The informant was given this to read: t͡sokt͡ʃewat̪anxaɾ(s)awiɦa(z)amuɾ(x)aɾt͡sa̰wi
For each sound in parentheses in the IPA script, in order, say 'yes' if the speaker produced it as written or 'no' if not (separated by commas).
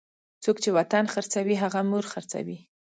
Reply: no, no, yes